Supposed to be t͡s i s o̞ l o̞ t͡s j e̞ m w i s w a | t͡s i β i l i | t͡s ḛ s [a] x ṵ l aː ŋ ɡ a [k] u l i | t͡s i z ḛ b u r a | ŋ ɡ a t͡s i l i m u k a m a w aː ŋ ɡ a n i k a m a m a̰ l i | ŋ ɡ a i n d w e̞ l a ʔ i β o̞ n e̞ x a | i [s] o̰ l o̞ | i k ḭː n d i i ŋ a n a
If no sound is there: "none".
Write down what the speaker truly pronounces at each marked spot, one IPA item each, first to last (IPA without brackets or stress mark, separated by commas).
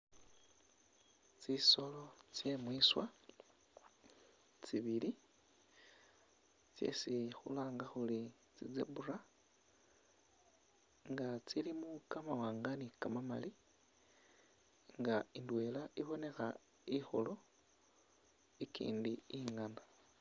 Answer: i, x, x